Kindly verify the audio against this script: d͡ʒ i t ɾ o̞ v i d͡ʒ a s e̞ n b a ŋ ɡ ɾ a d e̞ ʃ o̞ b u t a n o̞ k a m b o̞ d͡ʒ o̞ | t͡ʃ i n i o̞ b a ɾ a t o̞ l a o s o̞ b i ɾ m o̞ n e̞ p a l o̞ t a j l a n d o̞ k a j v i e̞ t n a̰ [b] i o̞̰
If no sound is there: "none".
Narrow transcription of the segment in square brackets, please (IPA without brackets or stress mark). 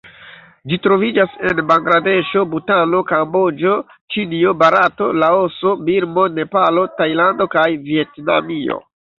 m